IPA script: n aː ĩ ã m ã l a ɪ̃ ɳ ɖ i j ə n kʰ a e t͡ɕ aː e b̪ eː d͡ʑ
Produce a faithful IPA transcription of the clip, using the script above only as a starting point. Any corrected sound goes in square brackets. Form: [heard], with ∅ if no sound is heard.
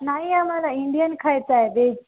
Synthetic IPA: n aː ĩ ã m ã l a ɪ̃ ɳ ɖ i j ə n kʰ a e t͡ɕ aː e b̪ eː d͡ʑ

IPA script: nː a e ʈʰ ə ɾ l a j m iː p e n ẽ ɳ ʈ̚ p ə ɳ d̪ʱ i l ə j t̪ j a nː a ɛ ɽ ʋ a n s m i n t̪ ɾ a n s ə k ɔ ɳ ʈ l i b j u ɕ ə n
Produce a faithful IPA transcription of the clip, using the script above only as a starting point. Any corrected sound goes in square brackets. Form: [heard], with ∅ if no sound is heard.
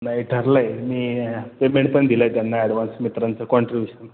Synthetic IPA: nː a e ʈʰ ə ɾ l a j m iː p e [m] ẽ ɳ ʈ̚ p ə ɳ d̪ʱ i l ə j t̪ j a nː a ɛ ɽ ʋ a n s m i [∅] t̪ ɾ a n [t͡s] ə k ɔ ɳ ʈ [ɾ] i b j u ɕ ə n

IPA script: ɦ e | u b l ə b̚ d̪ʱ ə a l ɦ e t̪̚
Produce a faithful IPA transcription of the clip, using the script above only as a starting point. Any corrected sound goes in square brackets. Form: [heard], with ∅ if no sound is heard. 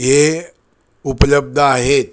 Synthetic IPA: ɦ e | u [p] l ə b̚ d̪ʱ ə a [∅] ɦ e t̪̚

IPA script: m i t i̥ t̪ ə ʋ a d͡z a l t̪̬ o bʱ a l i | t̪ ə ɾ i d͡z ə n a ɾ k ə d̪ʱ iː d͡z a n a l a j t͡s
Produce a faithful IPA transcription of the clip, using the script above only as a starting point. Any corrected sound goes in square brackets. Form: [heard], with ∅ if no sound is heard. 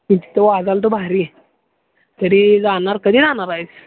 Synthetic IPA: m i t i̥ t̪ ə ʋ a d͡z a l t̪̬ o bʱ a [ɾ] i | t̪ ə ɾ i d͡z [a] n a ɾ k ə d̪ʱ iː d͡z a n a [ɾ] a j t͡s

